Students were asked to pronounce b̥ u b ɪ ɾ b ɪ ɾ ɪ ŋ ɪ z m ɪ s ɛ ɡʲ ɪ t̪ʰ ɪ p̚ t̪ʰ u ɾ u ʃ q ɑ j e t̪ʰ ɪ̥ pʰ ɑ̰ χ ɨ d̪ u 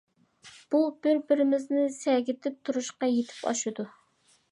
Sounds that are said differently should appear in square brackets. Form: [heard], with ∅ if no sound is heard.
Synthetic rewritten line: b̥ u b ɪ ɾ b ɪ ɾ ɪ [m] ɪ z [n] ɪ s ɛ ɡʲ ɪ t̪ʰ ɪ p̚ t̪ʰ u ɾ u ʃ q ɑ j e t̪ʰ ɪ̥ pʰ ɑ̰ [ʃ] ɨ d̪ u